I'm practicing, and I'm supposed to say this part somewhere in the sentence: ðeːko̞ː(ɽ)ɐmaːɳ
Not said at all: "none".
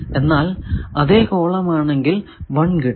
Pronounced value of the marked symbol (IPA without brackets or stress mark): ɭ